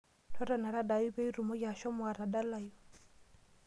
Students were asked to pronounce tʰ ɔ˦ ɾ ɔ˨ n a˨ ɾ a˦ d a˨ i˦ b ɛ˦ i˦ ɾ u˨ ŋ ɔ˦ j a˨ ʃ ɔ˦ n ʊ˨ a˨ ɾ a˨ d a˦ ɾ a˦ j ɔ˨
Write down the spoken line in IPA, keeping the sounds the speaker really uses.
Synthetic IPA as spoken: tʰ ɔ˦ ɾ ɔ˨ n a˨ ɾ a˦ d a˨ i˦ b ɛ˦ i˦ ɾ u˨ m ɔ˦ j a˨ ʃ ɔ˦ m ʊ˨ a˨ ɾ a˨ d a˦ l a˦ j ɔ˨

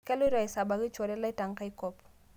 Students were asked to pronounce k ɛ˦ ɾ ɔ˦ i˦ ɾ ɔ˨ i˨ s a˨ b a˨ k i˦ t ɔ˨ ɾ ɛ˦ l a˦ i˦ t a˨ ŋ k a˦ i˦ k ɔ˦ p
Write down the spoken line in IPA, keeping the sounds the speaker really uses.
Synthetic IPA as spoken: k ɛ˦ l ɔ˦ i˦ ɾ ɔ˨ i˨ s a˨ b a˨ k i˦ t͡ʃ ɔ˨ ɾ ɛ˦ l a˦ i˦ t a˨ ŋ k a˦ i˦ k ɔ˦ p

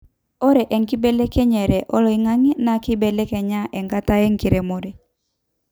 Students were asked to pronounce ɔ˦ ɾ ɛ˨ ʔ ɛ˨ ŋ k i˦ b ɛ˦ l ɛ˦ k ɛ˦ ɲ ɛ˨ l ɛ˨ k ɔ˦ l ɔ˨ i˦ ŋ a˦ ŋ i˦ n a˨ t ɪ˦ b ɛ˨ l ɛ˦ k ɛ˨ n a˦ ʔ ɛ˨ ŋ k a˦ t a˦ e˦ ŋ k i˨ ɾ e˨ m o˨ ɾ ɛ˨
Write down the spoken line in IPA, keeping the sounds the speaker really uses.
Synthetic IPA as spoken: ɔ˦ ɾ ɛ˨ ʔ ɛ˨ ŋ k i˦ b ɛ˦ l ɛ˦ k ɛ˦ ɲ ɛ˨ ɾ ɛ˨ ʔ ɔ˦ l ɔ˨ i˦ ŋ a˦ ŋ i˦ n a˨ k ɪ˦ b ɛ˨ l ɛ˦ k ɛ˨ ɲ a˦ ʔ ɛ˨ ŋ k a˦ t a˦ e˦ ŋ k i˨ ɾ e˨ m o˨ ɾ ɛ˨

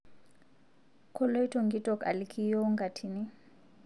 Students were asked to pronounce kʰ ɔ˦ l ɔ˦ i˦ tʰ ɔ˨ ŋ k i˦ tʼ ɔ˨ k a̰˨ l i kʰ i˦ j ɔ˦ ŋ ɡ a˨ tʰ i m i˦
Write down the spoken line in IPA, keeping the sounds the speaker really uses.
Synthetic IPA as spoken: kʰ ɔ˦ l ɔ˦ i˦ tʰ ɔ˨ ŋ ɡ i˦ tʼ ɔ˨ k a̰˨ l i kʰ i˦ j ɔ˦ ŋ ɡ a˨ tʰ i n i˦

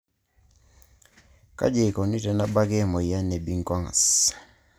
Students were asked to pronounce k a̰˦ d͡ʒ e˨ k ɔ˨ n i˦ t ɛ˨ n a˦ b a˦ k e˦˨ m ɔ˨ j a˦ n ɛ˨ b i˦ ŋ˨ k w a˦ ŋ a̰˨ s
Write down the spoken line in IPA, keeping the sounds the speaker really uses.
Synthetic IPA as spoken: k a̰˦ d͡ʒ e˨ k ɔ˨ n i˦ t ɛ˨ n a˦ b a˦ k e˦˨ m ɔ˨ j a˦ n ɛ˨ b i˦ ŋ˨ k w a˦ ŋ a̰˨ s

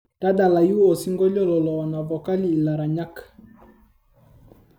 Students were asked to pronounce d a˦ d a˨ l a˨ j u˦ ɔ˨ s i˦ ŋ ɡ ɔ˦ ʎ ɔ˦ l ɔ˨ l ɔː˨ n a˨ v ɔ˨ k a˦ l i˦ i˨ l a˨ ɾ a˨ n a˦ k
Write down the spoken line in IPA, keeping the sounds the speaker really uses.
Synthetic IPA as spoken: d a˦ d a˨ l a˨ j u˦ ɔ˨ s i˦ ŋ ɡ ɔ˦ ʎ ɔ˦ l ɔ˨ l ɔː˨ n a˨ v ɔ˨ k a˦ l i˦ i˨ l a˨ ɾ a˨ ɲ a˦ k

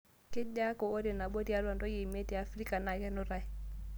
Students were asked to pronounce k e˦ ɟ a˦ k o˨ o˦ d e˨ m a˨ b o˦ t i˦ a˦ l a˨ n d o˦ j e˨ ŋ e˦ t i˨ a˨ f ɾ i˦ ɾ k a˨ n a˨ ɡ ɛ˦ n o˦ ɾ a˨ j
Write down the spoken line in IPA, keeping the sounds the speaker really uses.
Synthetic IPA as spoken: k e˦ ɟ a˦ k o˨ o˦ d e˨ n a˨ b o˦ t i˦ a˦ l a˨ n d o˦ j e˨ m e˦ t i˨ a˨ f ɾ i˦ k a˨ n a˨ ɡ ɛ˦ n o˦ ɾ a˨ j

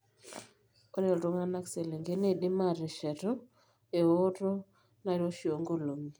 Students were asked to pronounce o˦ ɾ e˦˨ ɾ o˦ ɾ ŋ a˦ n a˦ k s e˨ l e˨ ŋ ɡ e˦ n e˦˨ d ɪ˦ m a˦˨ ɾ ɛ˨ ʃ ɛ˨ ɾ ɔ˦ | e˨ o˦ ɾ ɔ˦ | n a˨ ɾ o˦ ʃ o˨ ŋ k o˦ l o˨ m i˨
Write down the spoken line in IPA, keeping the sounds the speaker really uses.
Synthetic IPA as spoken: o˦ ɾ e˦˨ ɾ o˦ ŋ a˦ n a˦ k s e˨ l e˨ ŋ ɡ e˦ n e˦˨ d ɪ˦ m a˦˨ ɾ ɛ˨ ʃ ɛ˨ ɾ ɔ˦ | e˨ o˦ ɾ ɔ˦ | n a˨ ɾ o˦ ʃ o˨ ŋ ɡ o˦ l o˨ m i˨

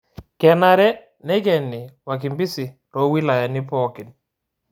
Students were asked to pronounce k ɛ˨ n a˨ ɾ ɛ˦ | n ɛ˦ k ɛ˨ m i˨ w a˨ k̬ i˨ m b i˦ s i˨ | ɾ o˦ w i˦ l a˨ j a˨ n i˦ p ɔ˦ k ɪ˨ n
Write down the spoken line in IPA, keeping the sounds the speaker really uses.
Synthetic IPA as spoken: k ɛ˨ n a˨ ɾ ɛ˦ | n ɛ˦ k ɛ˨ n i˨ w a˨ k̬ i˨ m b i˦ s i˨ | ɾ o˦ w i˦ l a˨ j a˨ n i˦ p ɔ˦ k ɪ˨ n

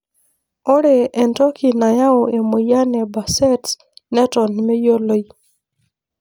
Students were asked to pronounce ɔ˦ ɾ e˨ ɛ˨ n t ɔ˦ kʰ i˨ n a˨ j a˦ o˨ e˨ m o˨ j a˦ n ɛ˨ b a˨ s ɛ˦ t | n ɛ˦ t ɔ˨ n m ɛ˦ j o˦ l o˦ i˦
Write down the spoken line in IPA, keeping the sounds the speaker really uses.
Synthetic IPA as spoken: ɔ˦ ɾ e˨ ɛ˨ n t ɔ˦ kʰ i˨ n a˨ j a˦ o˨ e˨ m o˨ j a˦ n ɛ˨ b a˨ s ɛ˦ t | n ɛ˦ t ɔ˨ n m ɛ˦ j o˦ l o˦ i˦

